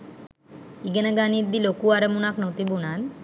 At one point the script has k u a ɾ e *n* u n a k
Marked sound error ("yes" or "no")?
yes